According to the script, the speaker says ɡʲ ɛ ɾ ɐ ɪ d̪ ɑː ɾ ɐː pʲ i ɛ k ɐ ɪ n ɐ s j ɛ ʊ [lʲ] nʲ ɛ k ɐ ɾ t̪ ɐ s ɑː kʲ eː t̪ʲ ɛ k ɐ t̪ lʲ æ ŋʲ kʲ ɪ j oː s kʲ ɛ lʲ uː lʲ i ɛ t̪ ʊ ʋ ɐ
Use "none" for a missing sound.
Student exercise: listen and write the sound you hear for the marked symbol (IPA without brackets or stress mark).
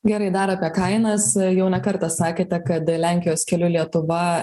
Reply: none